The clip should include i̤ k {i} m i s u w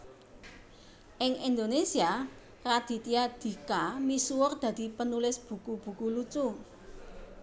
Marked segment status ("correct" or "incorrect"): incorrect